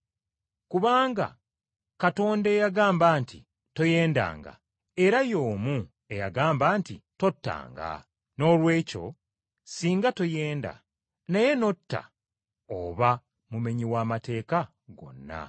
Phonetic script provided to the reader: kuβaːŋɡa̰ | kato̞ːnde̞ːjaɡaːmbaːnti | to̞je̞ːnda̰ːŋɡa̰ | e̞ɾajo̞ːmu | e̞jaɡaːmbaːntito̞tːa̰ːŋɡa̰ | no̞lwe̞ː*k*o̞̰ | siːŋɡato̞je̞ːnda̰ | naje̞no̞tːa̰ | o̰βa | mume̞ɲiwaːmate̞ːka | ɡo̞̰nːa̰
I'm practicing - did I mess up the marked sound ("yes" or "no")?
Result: yes